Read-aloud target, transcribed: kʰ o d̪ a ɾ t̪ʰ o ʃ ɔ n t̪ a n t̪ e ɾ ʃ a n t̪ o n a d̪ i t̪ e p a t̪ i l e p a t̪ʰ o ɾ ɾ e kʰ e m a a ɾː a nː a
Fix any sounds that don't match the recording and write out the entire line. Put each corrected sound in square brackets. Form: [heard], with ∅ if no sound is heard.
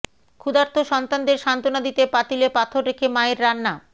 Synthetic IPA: kʰ [u] d̪ a ɾ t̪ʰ o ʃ ɔ n t̪ a n [d̪] e ɾ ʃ a n t̪ o n a d̪ i t̪ e p a t̪ i l e p a t̪ʰ o ɾ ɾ e kʰ e m a [e] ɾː a nː a